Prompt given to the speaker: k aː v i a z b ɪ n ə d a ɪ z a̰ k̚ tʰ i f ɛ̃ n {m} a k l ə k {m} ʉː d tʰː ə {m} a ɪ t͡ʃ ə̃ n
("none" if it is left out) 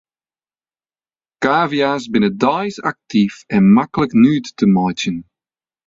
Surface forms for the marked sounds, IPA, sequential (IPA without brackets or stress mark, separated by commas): m, n, m